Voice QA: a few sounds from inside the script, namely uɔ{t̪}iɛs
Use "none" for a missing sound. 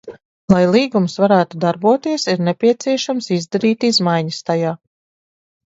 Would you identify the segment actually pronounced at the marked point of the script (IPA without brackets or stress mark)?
t̪